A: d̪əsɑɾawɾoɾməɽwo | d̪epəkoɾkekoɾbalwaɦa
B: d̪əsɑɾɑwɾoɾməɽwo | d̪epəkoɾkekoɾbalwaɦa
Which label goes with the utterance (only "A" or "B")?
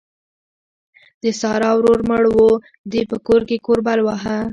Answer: B